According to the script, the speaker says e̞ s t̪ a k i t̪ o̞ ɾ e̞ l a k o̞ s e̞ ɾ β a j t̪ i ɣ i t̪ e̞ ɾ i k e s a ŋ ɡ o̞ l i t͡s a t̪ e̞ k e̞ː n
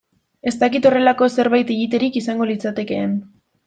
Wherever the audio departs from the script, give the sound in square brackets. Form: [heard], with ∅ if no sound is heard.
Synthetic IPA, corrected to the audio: e̞ s t̪ a k i t̪ o̞ [r] e̞ l a k o̞ s e̞ ɾ β a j t̪ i ɣ i t̪ e̞ ɾ i k [i] s a ŋ ɡ o̞ l i t͡s a t̪ e̞ k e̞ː n